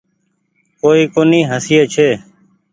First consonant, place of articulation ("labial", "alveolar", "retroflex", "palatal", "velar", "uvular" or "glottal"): velar